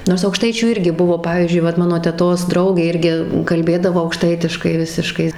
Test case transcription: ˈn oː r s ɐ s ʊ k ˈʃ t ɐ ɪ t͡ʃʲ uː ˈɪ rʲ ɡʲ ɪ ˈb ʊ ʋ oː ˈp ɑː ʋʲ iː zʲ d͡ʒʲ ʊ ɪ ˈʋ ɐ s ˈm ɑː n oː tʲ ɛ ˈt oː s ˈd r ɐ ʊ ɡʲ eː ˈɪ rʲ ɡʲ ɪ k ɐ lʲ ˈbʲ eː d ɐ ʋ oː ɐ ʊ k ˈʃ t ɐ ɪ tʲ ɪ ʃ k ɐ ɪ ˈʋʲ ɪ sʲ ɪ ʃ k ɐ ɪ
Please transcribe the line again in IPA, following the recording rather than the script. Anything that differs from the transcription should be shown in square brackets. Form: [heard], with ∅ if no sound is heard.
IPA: ˈn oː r s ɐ [∅] ʊ k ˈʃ t ɐ ɪ t͡ʃʲ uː ˈɪ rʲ ɡʲ ɪ ˈb ʊ ʋ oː ˈp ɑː ʋʲ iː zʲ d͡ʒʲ ʊ ɪ ˈʋ ɐ [t] ˈm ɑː n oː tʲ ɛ ˈt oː s ˈd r ɐ ʊ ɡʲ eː ˈɪ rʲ ɡʲ ɪ k ɐ lʲ ˈbʲ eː d ɐ ʋ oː ɐ ʊ k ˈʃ t ɐ ɪ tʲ ɪ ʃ k ɐ ɪ ˈʋʲ ɪ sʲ ɪ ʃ k ɐ ɪ

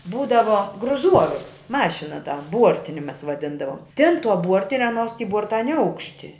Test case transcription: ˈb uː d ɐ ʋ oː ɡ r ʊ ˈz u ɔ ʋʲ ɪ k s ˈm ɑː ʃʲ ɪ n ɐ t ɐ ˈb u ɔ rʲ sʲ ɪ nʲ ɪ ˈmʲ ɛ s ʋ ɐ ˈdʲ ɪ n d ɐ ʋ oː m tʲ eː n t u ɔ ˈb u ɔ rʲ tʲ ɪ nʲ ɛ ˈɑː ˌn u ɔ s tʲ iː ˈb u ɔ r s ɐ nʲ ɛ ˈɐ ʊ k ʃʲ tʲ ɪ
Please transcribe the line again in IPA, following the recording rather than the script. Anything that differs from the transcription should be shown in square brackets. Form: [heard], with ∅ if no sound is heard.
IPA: ˈb uː d ɐ ʋ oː ɡ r ʊ ˈz u ɔ ʋʲ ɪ k s ˈm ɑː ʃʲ ɪ n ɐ t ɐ ˈb u ɔ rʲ [tʲ] ɪ nʲ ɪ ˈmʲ ɛ s ʋ ɐ ˈdʲ ɪ n d ɐ ʋ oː m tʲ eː n t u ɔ ˈb u ɔ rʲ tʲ ɪ nʲ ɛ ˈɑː ˌn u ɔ s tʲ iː ˈb u ɔ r [t] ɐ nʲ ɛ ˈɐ ʊ k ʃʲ tʲ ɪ

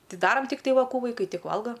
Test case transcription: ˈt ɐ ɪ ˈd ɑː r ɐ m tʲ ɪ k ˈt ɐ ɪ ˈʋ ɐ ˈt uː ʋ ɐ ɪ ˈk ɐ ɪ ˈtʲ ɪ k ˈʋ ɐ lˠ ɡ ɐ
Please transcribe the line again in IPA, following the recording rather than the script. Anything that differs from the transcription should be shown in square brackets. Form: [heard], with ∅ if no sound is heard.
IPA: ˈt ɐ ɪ ˈd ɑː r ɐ m tʲ ɪ k ˈt ɐ ɪ ˈʋ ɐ [ˈk] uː ʋ ɐ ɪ ˈk ɐ ɪ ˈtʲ ɪ k ˈʋ ɐ lˠ ɡ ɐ

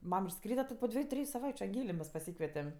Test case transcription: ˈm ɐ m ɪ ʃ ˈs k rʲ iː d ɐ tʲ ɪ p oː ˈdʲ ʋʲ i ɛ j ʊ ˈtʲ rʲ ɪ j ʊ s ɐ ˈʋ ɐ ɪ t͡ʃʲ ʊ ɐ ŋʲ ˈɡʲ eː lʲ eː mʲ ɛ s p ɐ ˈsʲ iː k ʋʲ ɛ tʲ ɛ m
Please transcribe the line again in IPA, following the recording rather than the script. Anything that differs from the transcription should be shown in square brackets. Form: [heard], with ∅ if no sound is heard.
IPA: ˈm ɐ m ɪ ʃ ˈs k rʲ iː d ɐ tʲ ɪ p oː ˈdʲ ʋʲ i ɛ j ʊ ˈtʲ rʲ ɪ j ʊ s ɐ ˈʋ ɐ ɪ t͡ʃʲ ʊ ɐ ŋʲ ˈɡʲ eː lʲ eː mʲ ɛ s p ɐ ˈsʲ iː k ʋʲ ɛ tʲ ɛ m

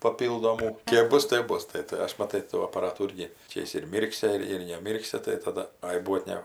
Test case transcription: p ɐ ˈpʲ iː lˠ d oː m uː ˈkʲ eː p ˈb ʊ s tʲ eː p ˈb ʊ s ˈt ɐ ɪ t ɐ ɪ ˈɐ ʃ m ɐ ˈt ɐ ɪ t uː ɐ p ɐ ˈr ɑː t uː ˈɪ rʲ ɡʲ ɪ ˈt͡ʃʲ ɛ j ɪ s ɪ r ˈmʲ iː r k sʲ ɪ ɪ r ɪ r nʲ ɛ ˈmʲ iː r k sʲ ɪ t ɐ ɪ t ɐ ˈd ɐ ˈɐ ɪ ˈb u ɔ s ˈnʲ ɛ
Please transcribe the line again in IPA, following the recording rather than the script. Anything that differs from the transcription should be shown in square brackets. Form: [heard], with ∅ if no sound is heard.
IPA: p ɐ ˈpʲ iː lˠ d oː m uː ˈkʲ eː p ˈb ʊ s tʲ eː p ˈb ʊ s ˈt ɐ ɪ t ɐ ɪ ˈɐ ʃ m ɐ ˈt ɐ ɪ t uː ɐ p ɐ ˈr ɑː t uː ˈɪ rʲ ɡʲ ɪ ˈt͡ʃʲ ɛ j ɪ s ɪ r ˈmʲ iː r k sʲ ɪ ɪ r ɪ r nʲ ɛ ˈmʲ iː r k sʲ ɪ t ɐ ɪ t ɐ ˈd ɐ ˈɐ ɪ ˈb u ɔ [t] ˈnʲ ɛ

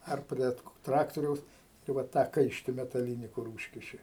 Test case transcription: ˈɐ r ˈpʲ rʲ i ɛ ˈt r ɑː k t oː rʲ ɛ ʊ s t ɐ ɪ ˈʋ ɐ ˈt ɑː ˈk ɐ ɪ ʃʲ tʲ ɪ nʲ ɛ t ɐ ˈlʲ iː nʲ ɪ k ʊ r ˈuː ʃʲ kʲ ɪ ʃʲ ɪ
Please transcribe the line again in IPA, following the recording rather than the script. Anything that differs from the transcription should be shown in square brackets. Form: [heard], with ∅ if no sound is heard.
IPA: ˈɐ r ˈpʲ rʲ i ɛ ˈt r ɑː k t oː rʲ ɛ ʊ s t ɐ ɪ ˈʋ ɐ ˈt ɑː ˈk ɐ ɪ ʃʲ tʲ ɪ [mʲ] ɛ t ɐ ˈlʲ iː nʲ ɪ k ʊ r ˈuː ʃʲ kʲ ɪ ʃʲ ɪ

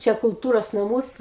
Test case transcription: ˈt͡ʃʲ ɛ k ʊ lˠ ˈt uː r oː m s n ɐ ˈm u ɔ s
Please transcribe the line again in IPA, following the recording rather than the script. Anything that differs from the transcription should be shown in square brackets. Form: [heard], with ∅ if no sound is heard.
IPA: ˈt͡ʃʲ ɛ k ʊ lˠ ˈt uː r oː [∅] s n ɐ ˈm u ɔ s

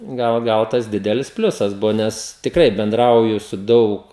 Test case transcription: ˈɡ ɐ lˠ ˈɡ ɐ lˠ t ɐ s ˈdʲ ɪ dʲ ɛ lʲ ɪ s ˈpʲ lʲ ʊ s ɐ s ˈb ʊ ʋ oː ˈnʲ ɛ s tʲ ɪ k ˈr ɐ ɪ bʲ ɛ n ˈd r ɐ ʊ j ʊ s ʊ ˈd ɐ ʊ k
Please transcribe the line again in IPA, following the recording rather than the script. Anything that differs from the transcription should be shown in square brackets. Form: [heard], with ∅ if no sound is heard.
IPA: ˈɡ ɐ lˠ ˈɡ ɐ lˠ t ɐ s ˈdʲ ɪ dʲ ɛ lʲ ɪ s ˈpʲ lʲ ʊ s ɐ s ˈb ʊ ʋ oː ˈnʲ ɛ s tʲ ɪ k ˈr ɐ ɪ bʲ ɛ n ˈd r ɐ ʊ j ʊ s ʊ ˈd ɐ ʊ k

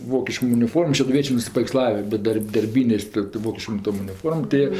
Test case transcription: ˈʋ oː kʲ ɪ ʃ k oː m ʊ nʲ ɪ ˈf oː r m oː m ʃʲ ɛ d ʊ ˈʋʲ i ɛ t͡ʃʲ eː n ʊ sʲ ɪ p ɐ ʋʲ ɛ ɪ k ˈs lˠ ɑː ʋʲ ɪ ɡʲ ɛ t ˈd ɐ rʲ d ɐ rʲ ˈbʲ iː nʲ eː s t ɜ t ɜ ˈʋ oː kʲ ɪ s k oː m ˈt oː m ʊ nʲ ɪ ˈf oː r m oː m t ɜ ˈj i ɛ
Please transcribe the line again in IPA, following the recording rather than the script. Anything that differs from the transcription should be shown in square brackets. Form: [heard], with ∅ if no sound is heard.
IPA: ˈʋ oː kʲ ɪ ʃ k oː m ʊ nʲ ɪ ˈf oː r m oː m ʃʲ ɛ d ʊ ˈʋʲ i ɛ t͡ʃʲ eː n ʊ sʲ ɪ p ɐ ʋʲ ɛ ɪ k ˈs lˠ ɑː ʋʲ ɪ [bʲ] ɛ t ˈd ɐ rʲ d ɐ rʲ ˈbʲ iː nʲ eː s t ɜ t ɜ ˈʋ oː kʲ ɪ [ʃ] k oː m ˈt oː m ʊ nʲ ɪ ˈf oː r m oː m t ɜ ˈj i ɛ

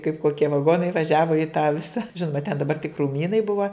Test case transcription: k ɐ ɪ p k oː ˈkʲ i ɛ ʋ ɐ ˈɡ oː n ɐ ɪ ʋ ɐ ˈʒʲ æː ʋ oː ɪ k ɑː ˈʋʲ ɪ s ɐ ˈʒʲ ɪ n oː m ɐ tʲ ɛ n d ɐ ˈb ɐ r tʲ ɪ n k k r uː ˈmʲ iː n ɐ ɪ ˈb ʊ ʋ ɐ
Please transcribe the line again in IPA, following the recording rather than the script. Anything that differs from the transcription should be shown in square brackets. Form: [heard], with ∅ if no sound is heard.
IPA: k ɐ ɪ p k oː ˈkʲ i ɛ ʋ ɐ ˈɡ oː n ɐ ɪ ʋ ɐ ˈʒʲ æː ʋ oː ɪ [t] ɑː ˈʋʲ ɪ s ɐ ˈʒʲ ɪ n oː m ɐ tʲ ɛ n d ɐ ˈb ɐ r tʲ ɪ [∅] k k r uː ˈmʲ iː n ɐ ɪ ˈb ʊ ʋ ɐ

